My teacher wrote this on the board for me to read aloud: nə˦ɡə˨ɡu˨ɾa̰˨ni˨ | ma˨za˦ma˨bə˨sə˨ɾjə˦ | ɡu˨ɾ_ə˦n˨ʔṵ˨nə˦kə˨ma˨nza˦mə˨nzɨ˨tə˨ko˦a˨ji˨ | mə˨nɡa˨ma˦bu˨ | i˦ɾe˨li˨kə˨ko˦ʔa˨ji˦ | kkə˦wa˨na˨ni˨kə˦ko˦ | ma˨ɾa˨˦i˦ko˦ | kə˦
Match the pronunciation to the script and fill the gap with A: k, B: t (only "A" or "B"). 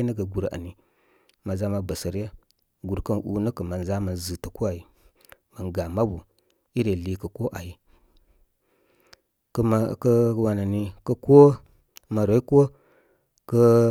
A